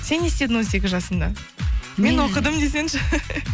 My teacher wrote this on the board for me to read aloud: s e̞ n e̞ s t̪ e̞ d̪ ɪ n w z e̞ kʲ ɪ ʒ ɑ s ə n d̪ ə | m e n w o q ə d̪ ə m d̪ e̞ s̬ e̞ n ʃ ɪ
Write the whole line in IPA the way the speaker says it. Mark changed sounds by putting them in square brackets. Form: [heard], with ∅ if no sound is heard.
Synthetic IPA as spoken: s e̞ n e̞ s t̪ e̞ d̪ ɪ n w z e̞ kʲ ɪ ʒ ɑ s ə n d̪ [ɑ] | m e n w o q ə d̪ ə m d̪ e̞ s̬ e̞ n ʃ ɪ